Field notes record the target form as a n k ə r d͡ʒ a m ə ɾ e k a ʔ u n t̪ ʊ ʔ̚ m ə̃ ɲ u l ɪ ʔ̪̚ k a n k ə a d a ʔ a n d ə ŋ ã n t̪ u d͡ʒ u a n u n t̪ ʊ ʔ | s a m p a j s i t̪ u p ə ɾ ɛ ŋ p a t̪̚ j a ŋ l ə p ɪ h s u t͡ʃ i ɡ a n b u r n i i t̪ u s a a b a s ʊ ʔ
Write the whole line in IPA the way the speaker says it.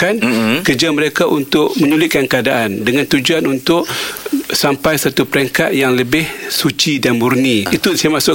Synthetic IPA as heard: a n k ə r d͡ʒ a m ə ɾ e k a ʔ u n t̪ ʊ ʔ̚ m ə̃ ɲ u l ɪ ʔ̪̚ k a n k ə a d a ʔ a n d ə ŋ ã n t̪ u d͡ʒ u a n u n t̪ ʊ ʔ | s a m p a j s a t̪ u p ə ɾ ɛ ŋ k a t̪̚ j a ŋ l ə b ɪ h s u t͡ʃ i d a n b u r n i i t̪ u s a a m a s ʊ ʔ